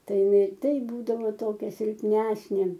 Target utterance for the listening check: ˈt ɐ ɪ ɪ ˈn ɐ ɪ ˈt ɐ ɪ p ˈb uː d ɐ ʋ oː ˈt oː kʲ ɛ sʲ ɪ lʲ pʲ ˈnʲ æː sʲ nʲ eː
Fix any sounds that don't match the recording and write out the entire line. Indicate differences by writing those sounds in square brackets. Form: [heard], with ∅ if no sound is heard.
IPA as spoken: ˈt ɐ ɪ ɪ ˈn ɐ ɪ ˈt ɐ ɪ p ˈb uː d ɐ ʋ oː ˈt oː kʲ ɛ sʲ ɪ lʲ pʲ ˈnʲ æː sʲ nʲ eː